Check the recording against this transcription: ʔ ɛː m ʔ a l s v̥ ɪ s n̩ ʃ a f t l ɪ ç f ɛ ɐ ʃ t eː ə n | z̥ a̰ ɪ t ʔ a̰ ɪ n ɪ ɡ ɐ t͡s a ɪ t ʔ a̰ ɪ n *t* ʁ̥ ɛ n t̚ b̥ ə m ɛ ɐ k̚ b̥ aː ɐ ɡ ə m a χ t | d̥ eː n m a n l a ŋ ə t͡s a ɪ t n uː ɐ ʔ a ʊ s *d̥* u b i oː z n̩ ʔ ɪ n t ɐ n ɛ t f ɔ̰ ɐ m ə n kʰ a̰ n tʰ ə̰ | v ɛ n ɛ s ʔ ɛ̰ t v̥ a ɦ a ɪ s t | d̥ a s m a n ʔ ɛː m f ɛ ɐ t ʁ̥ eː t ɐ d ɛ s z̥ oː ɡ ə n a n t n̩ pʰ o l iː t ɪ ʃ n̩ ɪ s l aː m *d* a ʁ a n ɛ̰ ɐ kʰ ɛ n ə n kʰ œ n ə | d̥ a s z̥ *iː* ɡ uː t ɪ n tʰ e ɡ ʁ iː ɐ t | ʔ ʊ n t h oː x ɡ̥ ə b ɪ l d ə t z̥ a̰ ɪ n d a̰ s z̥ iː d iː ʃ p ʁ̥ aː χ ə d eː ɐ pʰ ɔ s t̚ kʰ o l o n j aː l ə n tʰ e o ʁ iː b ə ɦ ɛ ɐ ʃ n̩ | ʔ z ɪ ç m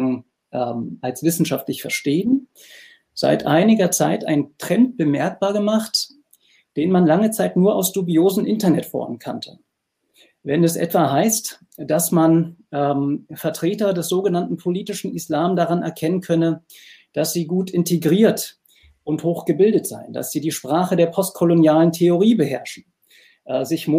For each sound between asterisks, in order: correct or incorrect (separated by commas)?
correct, correct, correct, correct